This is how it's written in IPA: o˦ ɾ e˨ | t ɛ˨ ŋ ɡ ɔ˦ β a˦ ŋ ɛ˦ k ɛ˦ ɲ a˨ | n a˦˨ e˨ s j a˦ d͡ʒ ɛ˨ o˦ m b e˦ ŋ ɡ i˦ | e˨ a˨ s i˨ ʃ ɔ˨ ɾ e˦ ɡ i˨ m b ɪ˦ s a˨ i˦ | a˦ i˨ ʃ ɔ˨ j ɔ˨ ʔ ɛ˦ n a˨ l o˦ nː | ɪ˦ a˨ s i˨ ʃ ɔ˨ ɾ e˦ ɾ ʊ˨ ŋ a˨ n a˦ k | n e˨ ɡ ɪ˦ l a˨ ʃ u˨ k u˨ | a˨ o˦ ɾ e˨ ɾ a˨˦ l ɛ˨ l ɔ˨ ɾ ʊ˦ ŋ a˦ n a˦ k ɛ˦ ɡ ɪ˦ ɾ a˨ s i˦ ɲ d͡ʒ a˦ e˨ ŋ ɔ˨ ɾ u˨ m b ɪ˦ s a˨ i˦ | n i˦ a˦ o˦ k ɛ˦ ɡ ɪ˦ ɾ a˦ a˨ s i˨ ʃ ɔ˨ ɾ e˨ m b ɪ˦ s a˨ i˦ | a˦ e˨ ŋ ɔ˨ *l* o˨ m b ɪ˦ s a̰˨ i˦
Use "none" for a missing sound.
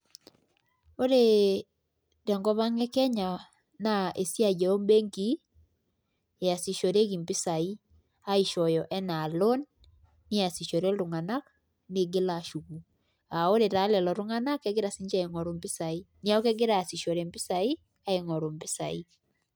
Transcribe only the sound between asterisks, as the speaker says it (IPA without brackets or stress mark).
ɾ